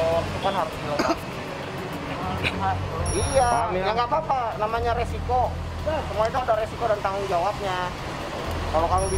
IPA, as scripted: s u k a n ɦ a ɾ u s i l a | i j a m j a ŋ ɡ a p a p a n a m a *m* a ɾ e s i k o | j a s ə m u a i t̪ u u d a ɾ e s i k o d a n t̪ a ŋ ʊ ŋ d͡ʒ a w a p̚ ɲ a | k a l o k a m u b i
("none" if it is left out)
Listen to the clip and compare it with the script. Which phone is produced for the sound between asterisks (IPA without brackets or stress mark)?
ɲ